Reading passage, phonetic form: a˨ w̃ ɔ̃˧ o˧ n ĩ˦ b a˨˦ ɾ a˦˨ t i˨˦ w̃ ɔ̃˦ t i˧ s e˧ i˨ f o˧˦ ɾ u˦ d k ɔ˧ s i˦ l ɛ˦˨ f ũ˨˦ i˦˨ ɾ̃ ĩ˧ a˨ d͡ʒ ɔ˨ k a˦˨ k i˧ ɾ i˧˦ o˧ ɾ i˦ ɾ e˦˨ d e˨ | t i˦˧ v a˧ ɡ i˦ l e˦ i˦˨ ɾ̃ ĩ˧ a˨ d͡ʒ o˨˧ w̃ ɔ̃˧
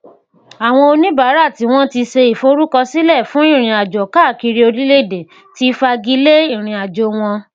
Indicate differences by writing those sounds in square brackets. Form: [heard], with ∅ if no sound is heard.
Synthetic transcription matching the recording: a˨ w̃ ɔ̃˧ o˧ n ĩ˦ b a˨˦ ɾ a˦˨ t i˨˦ w̃ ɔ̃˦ t i˧ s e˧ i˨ f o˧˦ ɾ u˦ [∅] k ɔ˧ s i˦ l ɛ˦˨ f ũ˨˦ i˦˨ ɾ̃ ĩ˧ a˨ d͡ʒ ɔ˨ k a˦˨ k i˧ ɾ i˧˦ o˧ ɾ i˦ [l] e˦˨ d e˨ | t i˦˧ [f] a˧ ɡ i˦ l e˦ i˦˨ ɾ̃ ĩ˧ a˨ d͡ʒ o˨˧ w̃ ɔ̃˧